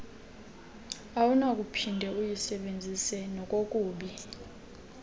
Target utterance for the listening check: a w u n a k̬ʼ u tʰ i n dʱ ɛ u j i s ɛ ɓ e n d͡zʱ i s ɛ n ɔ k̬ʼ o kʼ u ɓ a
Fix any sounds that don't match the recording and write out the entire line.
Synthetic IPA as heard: a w u n a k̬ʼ u pʰ i n dʱ ɛ u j i s ɛ ɓ e n d͡zʱ i s ɛ n ɔ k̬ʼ o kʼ uː ɓ i